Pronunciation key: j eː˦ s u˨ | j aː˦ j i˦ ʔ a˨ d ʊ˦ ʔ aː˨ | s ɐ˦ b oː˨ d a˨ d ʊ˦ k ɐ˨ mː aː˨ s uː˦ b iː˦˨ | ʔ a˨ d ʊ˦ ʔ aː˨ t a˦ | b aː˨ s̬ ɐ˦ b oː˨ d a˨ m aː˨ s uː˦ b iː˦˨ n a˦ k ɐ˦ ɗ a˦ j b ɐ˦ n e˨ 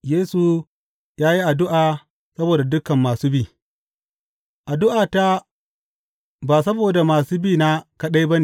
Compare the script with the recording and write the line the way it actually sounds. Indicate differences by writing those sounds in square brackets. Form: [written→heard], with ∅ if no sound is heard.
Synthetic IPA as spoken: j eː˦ s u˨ | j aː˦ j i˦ ʔ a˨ d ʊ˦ ʔ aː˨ | s ɐ˦ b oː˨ d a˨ d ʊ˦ k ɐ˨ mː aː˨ s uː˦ b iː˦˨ | ʔ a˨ d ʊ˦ ʔ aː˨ t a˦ | b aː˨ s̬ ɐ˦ b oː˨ d a˨ m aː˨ s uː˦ b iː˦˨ n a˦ k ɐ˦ ɗ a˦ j b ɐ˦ n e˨